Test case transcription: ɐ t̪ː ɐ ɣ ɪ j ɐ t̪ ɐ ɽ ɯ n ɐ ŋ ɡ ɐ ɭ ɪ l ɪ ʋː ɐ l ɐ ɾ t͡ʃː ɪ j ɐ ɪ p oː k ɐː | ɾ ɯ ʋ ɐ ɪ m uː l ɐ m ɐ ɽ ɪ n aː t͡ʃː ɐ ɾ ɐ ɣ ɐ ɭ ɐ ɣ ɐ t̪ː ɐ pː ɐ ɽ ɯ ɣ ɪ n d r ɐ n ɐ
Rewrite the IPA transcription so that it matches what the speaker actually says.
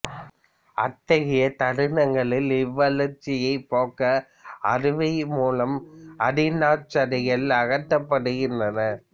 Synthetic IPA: ɐ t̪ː ɐ ɣ ɪ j ɐ t̪ ɐ ɽ ɯ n ɐ ŋ ɡ ɐ ɭ ɪ l ɪ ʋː ɐ l ɐ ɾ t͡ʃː ɪ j ɐ ɪ p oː k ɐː | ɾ ɯ ʋ ɐ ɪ m uː l ɐ m ɐ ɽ ɪ n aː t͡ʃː ɐ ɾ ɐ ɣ ɐ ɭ ɐ ɣ ɐ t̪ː ɐ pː ɐ ɽ ɯ ɣ ɪ n d r ɐ n ɐ